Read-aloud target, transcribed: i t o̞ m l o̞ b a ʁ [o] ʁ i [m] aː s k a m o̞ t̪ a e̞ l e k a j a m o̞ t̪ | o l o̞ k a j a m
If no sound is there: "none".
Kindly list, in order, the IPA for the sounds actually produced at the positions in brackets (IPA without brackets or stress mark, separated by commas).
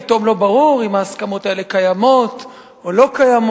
u, m